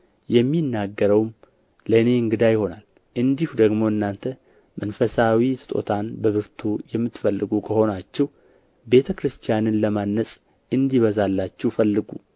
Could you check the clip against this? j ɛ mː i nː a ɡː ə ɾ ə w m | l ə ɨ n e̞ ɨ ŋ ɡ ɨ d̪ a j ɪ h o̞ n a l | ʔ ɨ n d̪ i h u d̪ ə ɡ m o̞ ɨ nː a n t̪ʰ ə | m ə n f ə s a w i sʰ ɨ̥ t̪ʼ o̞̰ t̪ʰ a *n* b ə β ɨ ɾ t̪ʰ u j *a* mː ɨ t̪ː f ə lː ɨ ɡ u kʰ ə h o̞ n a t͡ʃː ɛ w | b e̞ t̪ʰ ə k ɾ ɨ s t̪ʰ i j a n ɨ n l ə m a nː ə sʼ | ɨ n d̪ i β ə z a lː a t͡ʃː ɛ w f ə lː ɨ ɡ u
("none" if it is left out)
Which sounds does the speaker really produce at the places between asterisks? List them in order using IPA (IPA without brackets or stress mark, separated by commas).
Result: n, ɛ